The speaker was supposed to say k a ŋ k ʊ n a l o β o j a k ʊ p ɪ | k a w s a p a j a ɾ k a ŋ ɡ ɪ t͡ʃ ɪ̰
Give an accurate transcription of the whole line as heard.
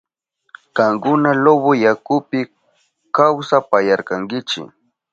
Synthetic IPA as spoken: k a ŋ k ʊ n a l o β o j a k ʊ p ɪ | k a w s a p a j a ɾ k a ŋ ɡ ɪ t͡ʃ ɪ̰

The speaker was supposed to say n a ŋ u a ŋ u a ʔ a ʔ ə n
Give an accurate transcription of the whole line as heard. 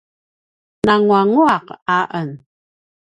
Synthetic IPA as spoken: n a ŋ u a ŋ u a q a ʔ ə n

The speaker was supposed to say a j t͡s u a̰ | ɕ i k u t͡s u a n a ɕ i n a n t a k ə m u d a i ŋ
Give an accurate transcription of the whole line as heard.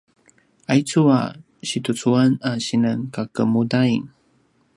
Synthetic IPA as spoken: a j t͡s u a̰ | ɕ i t u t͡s u a n a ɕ i n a n k a k ə m u d a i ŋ

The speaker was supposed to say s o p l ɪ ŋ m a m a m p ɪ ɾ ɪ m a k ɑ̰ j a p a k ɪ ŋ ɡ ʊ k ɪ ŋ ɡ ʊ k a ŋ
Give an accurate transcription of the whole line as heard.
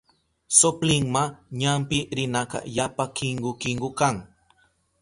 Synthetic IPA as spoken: s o p l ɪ ŋ m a ɲ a m p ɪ ɾ ɪ n a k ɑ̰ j a p a k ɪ ŋ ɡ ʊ k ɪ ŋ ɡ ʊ k a ŋ

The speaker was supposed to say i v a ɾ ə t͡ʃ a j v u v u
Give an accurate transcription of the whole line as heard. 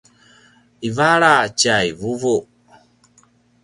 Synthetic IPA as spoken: i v a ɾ a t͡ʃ a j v u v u

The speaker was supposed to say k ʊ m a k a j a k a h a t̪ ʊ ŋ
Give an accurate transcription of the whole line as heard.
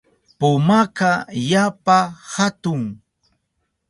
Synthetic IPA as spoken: p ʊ m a k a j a p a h a t̪ ʊ ŋ

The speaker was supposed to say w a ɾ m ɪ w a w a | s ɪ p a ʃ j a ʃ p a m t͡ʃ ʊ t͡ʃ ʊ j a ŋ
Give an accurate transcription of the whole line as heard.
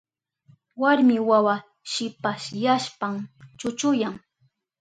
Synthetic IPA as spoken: w a ɾ m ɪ w a w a | ʃ ɪ p a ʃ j a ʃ p a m t͡ʃ ʊ t͡ʃ ʊ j a ŋ

